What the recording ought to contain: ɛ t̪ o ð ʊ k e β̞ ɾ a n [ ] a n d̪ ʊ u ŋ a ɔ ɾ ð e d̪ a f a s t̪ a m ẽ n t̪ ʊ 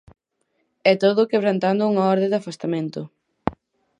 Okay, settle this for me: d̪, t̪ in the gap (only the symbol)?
t̪